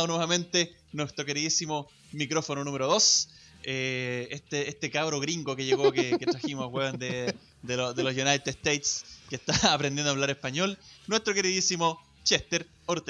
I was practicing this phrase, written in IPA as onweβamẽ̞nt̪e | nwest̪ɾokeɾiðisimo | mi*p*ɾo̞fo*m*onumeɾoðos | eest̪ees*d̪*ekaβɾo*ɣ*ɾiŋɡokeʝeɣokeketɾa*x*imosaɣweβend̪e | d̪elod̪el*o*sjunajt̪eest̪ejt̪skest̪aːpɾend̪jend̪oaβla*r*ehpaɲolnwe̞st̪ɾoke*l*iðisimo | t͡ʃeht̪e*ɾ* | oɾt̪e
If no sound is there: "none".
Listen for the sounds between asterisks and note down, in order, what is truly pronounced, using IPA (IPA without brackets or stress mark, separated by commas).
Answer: k, n, t̪, ɣ, x, o, ɾ, ɾ, ɾ